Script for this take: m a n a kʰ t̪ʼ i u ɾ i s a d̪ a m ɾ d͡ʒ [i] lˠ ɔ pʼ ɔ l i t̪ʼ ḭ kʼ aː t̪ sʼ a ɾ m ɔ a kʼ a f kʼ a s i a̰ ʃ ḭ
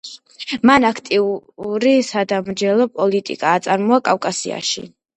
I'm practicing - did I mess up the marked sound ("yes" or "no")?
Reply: yes